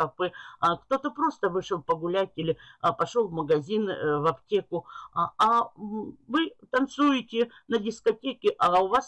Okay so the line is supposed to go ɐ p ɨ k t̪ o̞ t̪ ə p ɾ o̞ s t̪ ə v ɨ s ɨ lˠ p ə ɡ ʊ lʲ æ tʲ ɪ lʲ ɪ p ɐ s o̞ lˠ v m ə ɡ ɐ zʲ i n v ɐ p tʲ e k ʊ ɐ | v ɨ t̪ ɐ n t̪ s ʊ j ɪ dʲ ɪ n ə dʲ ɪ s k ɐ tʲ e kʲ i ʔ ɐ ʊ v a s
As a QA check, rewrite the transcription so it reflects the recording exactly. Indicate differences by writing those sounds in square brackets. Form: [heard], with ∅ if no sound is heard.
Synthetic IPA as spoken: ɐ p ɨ k t̪ o̞ t̪ ə p ɾ o̞ s t̪ ə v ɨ [ʂ] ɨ lˠ p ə ɡ ʊ lʲ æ tʲ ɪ lʲ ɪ p ɐ [ʂ] o̞ lˠ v m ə ɡ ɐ zʲ i n v ɐ p tʲ e k ʊ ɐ | v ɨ t̪ ɐ n t̪ s [u] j ɪ [tʲ] ɪ n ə dʲ ɪ s k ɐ tʲ e kʲ [ɪ] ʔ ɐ ʊ v a s